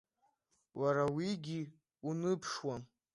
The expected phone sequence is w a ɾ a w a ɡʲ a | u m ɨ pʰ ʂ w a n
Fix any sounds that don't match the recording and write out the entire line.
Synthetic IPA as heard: w a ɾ a w i ɡʲ i | u n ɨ pʰ ʂ w a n